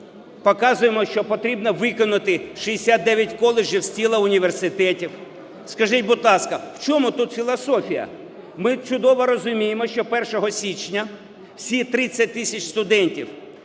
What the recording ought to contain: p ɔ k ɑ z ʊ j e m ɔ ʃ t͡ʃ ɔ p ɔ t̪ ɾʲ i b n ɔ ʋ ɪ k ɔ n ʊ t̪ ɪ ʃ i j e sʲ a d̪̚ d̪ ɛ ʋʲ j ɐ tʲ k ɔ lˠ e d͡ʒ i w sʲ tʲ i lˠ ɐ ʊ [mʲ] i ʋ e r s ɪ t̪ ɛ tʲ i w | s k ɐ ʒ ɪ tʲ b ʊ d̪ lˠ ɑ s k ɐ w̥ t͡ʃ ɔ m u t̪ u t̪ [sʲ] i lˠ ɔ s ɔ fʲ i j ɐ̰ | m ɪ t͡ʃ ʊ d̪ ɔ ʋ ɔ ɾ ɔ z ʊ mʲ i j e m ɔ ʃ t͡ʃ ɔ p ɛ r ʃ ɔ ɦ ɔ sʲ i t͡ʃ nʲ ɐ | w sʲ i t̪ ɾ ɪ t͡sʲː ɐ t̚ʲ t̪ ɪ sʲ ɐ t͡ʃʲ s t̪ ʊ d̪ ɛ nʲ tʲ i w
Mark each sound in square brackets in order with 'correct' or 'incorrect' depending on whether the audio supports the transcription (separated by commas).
incorrect, incorrect